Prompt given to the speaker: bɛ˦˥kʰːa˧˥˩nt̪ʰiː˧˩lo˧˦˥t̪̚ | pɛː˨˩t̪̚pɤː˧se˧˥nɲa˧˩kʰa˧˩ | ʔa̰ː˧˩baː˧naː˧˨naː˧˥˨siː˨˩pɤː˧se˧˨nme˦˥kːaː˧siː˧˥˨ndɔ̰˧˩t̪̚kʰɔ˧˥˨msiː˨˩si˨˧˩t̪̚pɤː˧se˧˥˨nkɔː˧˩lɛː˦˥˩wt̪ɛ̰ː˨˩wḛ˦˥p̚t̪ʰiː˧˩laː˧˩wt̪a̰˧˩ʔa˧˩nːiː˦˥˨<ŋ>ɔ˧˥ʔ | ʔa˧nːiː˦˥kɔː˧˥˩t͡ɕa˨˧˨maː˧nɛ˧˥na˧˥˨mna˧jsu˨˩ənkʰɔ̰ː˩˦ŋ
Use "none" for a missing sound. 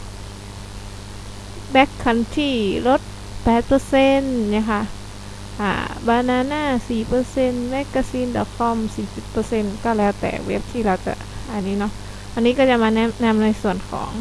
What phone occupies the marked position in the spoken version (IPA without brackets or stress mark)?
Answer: n